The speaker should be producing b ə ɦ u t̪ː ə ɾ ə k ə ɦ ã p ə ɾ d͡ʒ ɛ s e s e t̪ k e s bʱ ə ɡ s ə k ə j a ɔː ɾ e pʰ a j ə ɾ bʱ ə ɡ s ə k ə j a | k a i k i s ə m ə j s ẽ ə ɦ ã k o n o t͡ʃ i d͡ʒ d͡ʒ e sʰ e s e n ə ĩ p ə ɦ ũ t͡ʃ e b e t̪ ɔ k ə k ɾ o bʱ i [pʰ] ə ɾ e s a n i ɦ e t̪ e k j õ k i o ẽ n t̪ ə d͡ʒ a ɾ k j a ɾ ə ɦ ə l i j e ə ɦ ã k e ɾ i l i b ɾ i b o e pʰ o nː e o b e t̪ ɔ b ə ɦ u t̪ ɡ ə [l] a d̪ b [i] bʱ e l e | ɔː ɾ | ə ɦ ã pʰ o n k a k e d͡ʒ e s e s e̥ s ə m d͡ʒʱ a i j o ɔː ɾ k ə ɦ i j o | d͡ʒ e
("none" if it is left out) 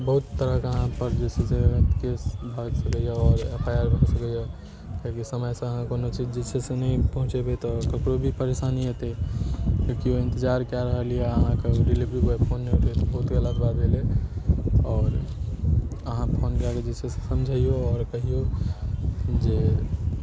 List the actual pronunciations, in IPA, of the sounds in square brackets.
p, l, a

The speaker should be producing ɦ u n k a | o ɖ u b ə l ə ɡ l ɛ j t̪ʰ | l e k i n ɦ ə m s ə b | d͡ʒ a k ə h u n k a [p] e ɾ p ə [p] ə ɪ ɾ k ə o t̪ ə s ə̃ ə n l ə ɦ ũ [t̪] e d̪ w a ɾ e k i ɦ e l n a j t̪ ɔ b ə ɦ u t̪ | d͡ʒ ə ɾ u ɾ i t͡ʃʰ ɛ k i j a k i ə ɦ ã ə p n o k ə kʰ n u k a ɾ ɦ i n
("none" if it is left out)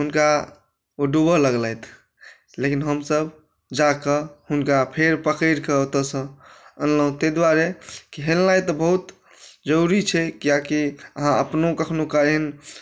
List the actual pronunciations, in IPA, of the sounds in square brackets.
pʰ, k, t̪

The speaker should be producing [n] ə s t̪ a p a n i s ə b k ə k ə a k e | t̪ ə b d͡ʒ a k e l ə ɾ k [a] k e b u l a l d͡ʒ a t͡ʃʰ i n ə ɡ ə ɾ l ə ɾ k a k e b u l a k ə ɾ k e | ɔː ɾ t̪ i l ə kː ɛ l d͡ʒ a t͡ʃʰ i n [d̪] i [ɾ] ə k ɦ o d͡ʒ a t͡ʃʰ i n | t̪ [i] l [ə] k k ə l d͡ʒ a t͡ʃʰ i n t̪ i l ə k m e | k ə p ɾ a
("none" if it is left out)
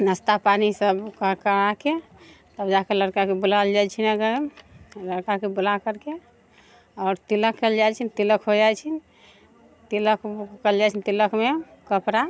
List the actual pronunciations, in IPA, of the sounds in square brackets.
n, a, t̪, l, i, ə

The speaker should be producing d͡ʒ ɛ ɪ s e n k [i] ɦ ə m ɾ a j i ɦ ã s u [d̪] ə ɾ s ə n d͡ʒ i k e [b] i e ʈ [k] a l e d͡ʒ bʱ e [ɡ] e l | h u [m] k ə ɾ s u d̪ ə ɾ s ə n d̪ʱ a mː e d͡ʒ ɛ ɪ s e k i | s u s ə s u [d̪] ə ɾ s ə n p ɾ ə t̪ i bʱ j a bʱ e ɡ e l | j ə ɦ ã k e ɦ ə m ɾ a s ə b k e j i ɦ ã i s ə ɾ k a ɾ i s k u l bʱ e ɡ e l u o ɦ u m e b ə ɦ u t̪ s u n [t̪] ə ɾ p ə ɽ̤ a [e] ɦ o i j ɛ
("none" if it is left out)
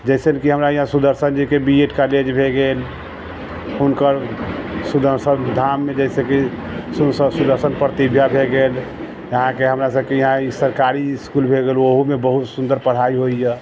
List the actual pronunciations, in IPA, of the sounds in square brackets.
i, d̪, b, k, ɡ, n, d̪, d̪, i

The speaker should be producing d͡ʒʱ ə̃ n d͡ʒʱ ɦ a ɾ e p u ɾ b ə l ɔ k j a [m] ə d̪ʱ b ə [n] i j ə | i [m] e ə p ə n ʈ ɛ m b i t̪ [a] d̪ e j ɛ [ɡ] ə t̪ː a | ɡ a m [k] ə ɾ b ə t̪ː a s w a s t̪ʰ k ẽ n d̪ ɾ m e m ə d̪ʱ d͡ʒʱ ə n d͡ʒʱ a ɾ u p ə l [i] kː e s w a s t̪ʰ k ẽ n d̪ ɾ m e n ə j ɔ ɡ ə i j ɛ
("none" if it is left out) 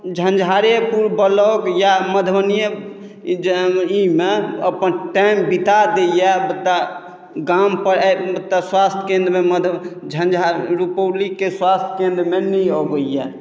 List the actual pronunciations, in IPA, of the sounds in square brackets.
m, n, m, a, b, p, i

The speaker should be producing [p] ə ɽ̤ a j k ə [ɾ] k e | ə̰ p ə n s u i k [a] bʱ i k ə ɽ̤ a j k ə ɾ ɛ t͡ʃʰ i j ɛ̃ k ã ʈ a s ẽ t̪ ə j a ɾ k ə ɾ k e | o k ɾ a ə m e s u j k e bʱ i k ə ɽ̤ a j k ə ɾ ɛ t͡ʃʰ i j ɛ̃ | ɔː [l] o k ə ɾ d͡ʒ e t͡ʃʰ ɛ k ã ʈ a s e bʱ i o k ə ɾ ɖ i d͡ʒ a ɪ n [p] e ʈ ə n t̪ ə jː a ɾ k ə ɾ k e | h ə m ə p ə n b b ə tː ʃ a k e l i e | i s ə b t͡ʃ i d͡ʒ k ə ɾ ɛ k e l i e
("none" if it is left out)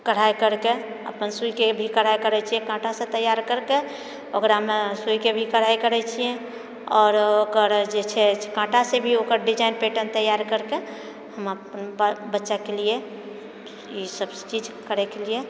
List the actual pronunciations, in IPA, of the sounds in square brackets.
k, ɾ, e, ɾ, p

